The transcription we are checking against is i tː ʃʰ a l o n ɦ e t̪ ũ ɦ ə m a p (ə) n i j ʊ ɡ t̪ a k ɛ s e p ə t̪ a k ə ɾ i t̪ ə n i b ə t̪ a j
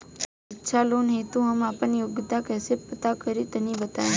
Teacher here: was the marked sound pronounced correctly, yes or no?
yes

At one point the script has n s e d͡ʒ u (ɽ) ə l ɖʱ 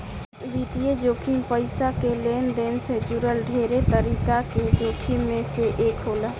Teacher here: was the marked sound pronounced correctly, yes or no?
no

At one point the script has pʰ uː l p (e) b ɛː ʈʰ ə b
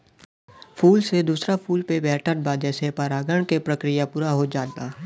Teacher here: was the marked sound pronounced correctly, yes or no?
yes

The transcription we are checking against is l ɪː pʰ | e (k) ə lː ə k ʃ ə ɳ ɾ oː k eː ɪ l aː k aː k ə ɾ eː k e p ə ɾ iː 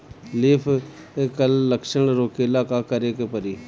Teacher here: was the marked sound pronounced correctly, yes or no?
yes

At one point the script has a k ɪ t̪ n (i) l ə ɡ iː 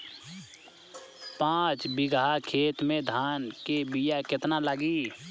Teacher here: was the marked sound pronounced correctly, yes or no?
no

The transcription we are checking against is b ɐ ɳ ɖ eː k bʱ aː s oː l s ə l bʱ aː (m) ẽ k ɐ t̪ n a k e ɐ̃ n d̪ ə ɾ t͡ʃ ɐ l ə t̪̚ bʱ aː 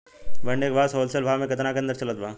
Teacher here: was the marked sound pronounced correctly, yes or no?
yes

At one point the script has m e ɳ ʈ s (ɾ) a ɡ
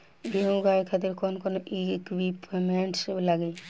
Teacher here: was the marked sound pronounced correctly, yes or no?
no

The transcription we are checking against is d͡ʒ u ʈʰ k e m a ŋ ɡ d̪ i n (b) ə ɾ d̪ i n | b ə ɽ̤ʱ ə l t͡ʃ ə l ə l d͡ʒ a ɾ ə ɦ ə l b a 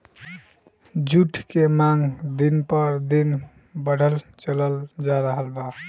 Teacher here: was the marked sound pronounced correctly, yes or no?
no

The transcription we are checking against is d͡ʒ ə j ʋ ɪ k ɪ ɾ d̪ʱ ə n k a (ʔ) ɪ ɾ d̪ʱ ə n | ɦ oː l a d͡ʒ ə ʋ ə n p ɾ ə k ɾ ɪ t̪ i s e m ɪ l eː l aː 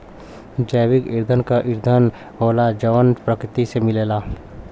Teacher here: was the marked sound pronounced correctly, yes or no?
yes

